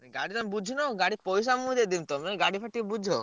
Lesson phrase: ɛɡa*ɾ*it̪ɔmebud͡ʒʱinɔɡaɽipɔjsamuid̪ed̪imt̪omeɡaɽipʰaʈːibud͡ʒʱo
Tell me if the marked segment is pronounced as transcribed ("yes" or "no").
no